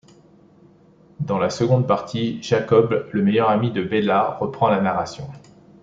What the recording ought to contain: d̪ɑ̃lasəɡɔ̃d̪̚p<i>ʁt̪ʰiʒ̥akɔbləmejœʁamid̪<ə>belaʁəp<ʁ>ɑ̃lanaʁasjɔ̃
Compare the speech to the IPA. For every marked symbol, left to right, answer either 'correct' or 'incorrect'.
incorrect: a, correct, incorrect: χ

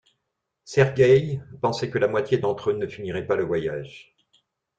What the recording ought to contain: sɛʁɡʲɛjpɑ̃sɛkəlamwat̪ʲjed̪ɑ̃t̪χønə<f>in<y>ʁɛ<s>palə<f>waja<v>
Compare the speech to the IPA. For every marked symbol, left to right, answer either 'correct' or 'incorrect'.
correct, incorrect: i, incorrect: none, incorrect: v, incorrect: ʒ

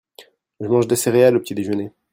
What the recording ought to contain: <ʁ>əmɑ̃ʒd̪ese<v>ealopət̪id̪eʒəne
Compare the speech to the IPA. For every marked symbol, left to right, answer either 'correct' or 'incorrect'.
incorrect: ʒ, incorrect: ʁ

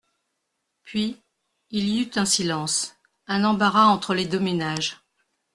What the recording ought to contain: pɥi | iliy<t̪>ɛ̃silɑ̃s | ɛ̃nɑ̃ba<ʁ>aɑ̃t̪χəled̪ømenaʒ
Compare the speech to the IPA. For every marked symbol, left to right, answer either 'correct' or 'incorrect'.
correct, correct

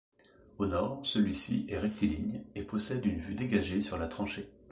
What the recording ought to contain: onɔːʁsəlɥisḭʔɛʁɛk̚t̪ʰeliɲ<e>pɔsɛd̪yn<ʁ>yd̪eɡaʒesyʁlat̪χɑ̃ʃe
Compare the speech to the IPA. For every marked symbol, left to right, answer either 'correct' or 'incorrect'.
correct, incorrect: v

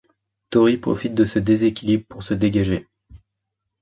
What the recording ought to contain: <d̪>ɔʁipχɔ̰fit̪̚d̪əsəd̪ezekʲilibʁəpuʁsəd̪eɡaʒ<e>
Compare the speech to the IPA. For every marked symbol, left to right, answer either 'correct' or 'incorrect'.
incorrect: t̪, correct

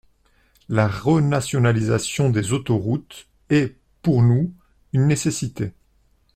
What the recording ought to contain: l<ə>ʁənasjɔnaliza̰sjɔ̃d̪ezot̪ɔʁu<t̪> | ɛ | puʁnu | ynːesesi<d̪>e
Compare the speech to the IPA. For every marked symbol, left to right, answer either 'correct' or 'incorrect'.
incorrect: a, correct, incorrect: t̪

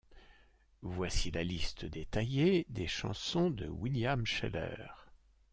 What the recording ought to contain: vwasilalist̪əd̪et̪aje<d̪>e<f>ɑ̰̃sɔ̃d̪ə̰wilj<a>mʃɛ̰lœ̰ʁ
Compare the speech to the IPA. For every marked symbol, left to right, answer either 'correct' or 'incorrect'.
correct, incorrect: ʃ, correct

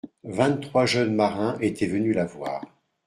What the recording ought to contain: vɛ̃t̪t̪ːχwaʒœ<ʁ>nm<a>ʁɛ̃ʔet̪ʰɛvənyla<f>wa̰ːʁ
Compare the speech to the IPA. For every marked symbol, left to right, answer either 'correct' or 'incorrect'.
incorrect: none, correct, incorrect: v

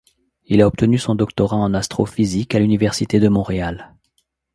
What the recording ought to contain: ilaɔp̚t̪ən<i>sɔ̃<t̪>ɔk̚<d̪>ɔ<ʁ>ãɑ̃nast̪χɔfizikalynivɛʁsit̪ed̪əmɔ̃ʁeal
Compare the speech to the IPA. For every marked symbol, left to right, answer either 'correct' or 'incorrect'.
incorrect: y, incorrect: d̪, incorrect: t̪, correct

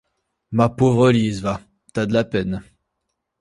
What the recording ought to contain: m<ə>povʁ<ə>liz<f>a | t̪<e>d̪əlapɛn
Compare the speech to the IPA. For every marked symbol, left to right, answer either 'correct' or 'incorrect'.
incorrect: a, correct, incorrect: v, incorrect: a

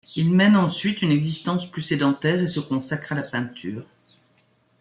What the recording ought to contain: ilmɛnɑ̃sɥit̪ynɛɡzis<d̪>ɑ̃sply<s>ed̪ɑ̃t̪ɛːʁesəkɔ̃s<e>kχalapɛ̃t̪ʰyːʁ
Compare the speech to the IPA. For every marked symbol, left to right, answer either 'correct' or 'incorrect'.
incorrect: t̪, correct, incorrect: a

